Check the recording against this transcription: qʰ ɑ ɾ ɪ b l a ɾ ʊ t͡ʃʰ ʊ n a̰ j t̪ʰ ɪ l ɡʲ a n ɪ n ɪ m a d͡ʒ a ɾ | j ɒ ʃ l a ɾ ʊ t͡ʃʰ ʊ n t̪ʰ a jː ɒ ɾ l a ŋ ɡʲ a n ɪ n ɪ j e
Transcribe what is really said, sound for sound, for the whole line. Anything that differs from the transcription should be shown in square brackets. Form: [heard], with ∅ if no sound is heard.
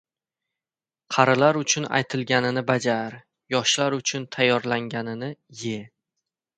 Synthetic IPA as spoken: qʰ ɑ ɾ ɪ [∅] l a ɾ ʊ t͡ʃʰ ʊ n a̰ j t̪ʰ ɪ l ɡʲ a n ɪ n ɪ [b] a d͡ʒ a ɾ | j ɒ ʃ l a ɾ ʊ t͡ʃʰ ʊ n t̪ʰ a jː ɒ ɾ l a ŋ ɡʲ a n ɪ n ɪ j e